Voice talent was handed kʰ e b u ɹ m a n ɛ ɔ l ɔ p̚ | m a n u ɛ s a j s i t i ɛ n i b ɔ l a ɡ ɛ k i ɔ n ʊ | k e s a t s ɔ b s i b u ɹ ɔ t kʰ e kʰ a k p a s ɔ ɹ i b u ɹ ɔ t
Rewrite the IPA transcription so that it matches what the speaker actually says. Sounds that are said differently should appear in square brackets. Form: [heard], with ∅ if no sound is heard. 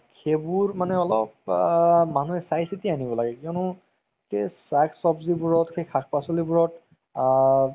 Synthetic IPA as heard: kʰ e b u ɹ m a n ɛ ɔ l ɔ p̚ | m a n u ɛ s a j s i t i [a] n i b ɔ l a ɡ ɛ k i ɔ n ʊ | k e s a [k] s ɔ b [z] i b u ɹ ɔ t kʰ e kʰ a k p a s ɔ [l] i b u ɹ ɔ t